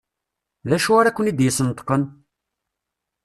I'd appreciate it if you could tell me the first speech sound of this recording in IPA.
l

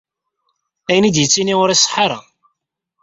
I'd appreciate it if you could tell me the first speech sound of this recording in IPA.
æ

